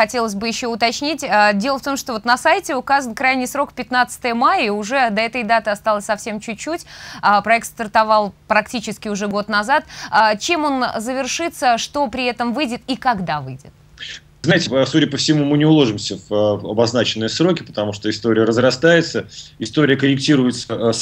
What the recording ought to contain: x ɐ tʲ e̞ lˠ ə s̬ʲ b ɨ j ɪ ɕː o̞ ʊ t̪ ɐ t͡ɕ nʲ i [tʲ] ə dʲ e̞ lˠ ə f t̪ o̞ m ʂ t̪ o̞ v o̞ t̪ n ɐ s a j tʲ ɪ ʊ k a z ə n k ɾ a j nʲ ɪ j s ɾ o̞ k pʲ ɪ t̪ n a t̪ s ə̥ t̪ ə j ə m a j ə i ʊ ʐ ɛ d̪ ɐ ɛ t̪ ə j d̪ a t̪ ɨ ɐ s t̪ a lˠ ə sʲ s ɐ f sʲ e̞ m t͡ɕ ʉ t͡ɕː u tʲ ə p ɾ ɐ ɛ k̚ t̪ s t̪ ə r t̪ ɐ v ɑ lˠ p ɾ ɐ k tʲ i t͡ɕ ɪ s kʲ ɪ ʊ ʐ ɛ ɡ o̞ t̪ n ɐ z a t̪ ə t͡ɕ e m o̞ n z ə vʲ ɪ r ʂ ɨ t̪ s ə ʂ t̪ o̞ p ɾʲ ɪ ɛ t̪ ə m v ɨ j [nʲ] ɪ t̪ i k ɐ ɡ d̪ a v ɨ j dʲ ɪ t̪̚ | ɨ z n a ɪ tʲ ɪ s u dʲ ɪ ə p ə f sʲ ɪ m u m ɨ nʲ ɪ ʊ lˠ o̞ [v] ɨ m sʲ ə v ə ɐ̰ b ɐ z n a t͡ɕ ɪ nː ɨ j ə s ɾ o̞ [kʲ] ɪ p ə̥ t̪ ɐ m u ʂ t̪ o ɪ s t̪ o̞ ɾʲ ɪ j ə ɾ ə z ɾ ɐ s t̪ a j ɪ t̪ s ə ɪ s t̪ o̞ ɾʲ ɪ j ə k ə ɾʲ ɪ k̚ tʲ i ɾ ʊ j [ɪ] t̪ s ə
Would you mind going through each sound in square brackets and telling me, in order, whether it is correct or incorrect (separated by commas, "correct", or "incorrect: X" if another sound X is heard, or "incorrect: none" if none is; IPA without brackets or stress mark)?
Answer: correct, incorrect: dʲ, incorrect: ʐ, correct, correct